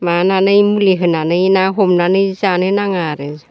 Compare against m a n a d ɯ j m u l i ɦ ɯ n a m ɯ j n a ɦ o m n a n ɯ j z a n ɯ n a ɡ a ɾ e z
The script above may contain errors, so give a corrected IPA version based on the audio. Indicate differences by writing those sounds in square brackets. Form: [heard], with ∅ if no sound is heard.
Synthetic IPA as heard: m a n a [n] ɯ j m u l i ɦ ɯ n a [n] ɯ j n a ɦ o m n a n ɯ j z a n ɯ n a [ŋ] a ɾ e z